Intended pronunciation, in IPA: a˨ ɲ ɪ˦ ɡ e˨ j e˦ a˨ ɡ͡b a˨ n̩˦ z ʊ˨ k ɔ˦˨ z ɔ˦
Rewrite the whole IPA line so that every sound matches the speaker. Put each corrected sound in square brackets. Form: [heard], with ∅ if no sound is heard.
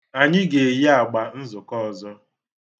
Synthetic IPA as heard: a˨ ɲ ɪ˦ ɡ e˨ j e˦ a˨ ɡ͡b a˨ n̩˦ z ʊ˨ k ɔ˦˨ z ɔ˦